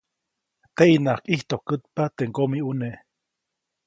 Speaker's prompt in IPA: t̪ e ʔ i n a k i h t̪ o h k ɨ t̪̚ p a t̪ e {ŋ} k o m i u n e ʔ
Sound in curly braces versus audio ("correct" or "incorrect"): correct